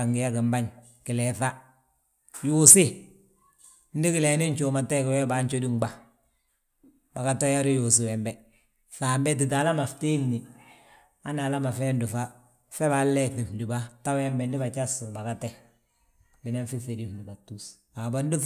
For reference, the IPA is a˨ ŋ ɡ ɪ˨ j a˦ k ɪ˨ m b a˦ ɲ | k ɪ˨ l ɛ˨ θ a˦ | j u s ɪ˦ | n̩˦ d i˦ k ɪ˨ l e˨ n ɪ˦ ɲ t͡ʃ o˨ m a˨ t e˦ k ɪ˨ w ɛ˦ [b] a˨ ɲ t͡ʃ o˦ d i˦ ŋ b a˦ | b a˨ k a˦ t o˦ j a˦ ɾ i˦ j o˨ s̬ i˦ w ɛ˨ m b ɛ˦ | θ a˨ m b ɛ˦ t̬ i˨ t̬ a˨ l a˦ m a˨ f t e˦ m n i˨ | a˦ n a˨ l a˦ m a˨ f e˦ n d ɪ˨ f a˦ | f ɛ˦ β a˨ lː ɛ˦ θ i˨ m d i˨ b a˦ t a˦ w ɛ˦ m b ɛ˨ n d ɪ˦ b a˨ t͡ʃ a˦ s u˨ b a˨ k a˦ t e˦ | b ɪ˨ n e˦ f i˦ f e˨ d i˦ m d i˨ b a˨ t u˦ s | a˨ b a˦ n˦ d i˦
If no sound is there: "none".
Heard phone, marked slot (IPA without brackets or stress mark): b